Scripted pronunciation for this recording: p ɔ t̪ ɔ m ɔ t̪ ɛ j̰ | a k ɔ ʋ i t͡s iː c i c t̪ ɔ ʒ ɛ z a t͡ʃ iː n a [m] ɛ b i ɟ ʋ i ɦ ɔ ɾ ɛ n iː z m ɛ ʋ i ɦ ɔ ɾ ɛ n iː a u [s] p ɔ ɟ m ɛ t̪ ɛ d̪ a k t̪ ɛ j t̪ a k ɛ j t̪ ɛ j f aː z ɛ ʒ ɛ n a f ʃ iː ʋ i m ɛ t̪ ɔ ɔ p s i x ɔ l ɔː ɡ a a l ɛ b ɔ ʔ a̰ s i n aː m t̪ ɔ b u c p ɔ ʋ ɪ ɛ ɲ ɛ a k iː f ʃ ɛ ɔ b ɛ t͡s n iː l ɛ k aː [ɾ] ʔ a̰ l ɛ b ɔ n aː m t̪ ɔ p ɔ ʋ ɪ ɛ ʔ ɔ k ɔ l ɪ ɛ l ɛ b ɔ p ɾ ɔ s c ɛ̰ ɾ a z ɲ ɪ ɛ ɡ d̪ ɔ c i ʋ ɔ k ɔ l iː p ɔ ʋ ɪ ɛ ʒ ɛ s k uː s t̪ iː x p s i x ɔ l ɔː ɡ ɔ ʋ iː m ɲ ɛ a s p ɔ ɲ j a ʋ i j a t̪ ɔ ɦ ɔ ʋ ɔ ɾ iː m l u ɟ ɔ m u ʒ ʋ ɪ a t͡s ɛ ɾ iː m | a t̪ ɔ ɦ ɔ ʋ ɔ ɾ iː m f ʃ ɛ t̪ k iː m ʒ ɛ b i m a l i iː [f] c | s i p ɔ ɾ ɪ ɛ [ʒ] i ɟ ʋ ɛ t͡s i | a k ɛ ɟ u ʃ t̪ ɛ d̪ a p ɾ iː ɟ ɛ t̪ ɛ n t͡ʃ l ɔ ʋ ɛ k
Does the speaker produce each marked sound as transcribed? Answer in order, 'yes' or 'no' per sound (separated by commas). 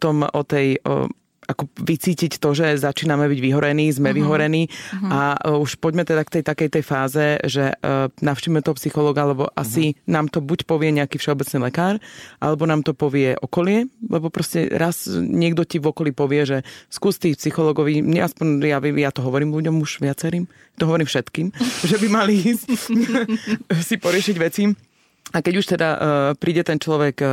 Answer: yes, no, yes, no, no